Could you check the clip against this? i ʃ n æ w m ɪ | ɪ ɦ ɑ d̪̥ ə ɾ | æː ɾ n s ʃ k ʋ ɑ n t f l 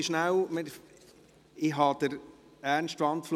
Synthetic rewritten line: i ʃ n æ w m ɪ | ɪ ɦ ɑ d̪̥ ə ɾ | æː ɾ n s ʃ t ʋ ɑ n t f l